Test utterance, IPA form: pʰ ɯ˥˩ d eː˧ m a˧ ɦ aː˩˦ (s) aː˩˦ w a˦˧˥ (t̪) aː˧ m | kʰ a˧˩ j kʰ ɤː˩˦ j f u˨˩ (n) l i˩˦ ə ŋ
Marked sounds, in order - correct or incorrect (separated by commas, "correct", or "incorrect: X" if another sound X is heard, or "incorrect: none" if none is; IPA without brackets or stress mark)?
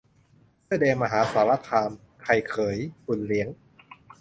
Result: correct, incorrect: t̪ʰ, correct